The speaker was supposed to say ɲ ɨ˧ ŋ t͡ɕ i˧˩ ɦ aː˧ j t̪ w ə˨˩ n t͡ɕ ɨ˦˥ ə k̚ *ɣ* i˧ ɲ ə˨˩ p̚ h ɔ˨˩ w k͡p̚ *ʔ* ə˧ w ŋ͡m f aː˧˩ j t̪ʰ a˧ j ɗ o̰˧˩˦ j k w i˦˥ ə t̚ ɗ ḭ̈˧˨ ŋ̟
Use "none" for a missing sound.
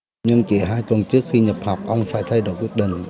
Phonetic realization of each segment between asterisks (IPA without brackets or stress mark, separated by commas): x, ʔ